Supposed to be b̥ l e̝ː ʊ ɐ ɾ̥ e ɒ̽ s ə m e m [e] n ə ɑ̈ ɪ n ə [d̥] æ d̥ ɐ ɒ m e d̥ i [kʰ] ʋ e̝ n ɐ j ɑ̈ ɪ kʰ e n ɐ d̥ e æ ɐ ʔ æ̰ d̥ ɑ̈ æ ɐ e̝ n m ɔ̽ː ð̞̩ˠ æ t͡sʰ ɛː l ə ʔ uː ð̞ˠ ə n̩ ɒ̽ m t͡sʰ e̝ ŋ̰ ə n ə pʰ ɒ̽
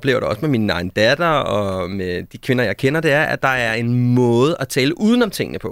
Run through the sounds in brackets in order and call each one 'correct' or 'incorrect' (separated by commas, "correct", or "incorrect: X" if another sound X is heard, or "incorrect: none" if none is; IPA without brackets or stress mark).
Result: incorrect: i, correct, correct